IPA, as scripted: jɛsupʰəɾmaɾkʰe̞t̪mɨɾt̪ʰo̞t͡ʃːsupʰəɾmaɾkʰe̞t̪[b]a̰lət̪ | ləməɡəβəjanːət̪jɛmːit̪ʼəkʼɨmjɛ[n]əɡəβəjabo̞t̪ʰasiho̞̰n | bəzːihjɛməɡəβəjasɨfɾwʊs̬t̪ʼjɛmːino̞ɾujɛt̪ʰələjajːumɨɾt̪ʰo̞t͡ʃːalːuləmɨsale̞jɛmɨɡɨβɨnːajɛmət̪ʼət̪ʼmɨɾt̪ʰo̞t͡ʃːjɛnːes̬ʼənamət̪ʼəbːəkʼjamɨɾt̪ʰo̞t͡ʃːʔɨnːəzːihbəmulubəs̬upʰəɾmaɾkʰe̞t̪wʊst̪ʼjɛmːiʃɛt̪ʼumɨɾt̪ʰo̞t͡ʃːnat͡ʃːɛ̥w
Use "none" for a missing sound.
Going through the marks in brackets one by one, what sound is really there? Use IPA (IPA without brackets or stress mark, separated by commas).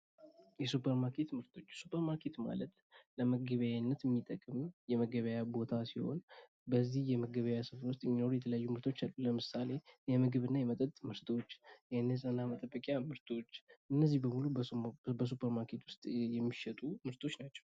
m, m